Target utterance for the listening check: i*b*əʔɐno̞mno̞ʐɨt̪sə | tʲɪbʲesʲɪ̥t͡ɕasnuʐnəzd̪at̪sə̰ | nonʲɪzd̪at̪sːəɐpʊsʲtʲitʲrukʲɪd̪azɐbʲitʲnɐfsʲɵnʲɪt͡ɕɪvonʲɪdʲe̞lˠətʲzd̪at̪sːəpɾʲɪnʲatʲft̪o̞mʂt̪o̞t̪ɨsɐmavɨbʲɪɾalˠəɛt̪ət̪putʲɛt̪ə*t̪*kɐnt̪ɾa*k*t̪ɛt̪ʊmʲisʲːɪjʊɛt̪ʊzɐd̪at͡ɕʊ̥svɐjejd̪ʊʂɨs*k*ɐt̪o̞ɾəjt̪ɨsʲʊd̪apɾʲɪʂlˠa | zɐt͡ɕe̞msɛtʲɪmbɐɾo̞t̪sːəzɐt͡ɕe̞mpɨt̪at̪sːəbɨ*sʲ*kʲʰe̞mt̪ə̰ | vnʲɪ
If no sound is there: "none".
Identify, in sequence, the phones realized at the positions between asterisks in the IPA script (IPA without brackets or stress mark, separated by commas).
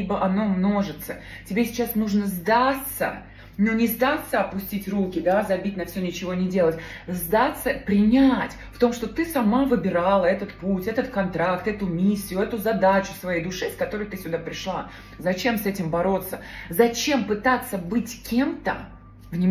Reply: b, t̪, k, k, tʲ